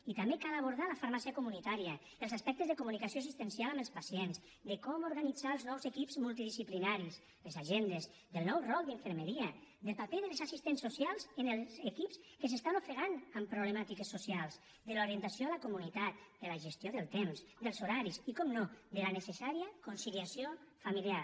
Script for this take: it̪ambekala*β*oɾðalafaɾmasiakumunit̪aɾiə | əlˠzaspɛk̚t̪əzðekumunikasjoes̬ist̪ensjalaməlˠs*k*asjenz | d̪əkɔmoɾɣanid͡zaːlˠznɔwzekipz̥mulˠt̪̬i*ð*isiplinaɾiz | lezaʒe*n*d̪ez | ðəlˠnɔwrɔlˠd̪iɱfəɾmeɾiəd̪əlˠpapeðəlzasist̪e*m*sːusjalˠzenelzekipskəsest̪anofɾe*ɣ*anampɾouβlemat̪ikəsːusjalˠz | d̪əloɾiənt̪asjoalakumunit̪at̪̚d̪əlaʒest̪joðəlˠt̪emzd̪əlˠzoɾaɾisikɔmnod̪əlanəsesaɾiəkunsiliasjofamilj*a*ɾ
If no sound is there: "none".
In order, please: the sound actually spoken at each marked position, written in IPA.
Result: β, p, ð, n, n, ɣ, a

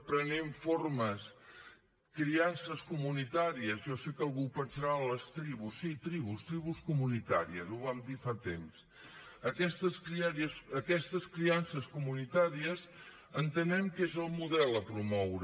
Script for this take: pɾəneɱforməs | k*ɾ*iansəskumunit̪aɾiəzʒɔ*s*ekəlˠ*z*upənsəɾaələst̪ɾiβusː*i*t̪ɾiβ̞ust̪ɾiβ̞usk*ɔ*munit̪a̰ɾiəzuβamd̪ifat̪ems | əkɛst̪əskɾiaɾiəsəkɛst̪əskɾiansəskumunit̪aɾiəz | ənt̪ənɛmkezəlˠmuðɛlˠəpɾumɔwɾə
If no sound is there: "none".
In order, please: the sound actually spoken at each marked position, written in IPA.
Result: ɾ, s, ɣ, i, u

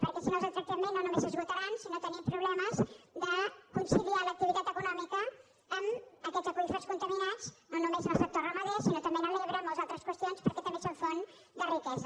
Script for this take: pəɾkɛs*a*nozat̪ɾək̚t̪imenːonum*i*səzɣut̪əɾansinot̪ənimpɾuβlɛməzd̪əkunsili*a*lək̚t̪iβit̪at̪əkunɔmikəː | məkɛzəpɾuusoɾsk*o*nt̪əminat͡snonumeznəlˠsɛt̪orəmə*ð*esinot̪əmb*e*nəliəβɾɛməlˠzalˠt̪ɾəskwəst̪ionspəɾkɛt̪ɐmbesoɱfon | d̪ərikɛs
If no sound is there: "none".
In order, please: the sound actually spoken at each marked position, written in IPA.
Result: i, e, a, u, ð, e

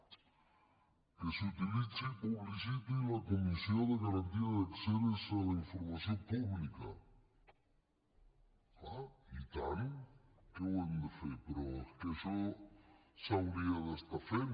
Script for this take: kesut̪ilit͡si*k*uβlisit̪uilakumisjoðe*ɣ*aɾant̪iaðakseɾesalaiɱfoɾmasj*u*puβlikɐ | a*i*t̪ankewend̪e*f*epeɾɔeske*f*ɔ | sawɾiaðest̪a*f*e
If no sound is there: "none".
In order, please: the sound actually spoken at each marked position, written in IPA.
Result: p, ɣ, o, i, f, ʃ, f

